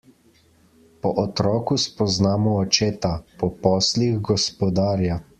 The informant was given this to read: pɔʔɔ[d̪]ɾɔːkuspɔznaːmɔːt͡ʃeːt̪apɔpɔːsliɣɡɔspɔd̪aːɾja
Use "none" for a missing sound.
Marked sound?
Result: t̪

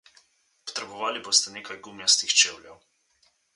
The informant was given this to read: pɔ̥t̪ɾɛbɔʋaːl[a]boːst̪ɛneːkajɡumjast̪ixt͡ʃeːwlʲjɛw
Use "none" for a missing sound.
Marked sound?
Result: i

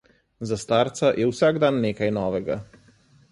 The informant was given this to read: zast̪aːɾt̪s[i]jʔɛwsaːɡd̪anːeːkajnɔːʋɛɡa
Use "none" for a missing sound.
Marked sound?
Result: a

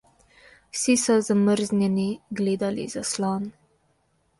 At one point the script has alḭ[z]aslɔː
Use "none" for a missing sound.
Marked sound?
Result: z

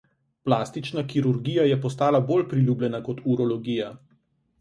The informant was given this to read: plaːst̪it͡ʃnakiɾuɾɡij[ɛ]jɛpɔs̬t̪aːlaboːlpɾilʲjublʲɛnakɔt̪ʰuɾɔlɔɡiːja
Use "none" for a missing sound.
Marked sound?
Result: a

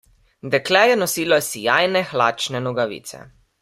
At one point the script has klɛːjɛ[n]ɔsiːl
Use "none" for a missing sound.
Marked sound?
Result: n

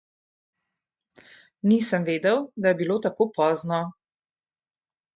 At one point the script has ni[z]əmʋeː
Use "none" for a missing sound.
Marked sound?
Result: s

